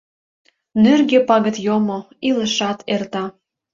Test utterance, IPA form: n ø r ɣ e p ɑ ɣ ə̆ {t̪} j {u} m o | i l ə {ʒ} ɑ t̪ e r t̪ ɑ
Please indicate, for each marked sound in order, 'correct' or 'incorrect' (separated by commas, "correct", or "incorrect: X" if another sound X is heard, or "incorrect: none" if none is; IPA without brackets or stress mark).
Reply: correct, incorrect: o, incorrect: ʃ